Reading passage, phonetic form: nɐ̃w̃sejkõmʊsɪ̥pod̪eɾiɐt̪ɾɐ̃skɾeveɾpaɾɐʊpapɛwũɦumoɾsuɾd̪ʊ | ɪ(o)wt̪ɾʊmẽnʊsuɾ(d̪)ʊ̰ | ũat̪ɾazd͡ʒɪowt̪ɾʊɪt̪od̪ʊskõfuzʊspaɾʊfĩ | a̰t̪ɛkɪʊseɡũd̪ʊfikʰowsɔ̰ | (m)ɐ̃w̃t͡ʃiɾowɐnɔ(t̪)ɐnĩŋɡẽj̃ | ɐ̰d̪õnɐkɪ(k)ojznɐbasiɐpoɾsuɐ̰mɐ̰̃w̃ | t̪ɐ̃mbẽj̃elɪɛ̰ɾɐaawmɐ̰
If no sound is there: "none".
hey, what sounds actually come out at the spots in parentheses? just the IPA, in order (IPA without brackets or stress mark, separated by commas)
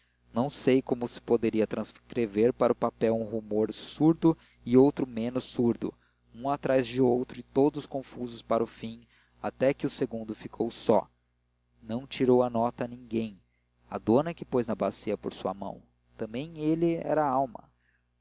o, d̪, n, t̪, p